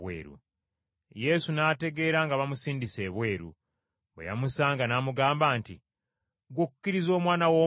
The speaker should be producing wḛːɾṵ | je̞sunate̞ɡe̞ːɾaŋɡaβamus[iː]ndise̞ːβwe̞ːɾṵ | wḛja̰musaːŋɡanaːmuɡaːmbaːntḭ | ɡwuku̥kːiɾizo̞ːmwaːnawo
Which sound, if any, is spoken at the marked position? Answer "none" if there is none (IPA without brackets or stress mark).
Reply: iː